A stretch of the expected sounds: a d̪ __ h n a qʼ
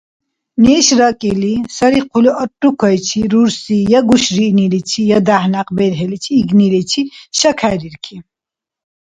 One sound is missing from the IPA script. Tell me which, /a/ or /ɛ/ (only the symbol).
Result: a